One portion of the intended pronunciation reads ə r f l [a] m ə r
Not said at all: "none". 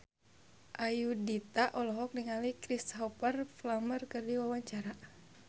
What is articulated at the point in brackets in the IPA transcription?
a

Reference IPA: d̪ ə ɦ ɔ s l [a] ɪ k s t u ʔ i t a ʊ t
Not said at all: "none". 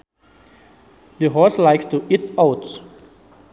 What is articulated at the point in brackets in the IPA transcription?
a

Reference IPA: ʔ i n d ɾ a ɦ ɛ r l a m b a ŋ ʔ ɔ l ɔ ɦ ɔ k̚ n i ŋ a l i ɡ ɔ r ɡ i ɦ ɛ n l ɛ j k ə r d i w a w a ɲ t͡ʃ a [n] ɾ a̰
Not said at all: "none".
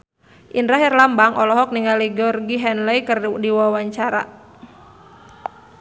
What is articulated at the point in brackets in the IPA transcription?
none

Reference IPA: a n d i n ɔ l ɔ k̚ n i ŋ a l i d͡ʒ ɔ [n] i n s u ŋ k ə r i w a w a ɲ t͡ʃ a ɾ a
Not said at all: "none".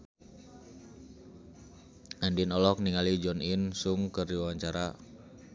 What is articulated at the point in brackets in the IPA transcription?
n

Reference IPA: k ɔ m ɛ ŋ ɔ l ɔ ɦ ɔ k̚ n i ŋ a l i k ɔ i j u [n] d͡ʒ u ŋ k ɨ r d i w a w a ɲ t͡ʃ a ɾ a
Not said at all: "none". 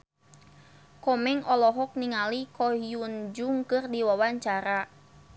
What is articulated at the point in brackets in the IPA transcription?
n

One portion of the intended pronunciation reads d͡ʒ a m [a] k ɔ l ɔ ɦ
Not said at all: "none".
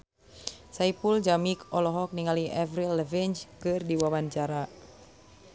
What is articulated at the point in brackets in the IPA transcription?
i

